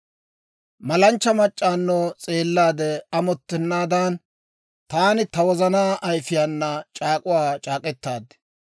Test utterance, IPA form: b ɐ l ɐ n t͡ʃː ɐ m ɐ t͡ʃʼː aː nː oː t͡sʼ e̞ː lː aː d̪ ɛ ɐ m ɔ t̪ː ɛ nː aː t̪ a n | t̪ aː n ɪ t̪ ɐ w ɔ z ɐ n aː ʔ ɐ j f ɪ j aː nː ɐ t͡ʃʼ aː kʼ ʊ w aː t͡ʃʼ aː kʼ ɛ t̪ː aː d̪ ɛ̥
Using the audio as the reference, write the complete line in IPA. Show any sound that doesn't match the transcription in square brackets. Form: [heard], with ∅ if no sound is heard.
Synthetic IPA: [m] ɐ l ɐ n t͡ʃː ɐ m ɐ t͡ʃʼː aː nː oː t͡sʼ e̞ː lː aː d̪ ɛ ɐ m ɔ t̪ː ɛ nː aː [d̪] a n | t̪ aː n ɪ t̪ ɐ w ɔ z ɐ n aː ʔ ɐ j f ɪ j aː nː ɐ t͡ʃʼ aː kʼ ʊ w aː t͡ʃʼ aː kʼ ɛ t̪ː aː d̪ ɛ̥